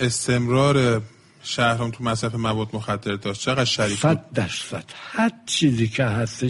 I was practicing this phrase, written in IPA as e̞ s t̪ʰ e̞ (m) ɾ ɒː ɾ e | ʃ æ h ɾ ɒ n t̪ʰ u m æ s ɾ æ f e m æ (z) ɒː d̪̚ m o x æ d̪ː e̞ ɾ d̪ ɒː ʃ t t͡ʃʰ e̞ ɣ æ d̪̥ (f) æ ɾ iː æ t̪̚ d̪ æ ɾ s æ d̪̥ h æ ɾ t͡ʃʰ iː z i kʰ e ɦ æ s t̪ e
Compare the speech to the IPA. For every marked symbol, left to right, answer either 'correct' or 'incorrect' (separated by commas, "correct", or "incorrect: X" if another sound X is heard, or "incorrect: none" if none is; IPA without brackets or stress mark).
correct, incorrect: v, incorrect: ʃ